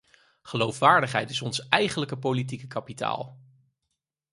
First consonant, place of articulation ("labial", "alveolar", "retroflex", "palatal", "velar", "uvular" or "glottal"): uvular